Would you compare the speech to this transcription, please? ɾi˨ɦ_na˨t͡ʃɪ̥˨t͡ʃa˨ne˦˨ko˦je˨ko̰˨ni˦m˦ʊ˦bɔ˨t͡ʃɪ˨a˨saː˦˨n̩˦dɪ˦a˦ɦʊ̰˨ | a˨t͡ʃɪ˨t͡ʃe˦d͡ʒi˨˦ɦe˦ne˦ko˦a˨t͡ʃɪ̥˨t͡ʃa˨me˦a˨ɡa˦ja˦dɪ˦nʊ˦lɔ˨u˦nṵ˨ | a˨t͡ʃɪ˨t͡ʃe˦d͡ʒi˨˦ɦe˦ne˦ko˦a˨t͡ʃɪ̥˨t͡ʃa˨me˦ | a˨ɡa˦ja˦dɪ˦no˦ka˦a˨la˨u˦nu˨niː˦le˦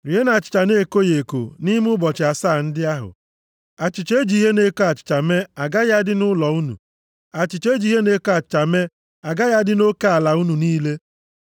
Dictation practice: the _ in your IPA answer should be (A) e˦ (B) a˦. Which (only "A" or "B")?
A